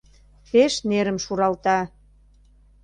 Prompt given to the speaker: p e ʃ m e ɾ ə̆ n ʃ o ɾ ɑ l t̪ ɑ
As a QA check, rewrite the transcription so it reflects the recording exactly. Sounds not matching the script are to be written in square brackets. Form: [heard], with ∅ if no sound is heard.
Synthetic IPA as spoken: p e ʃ [n] e ɾ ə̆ [m] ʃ [u] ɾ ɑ l t̪ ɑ